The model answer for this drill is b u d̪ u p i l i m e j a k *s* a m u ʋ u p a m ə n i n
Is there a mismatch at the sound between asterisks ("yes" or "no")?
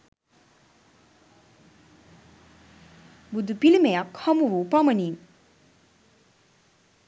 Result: yes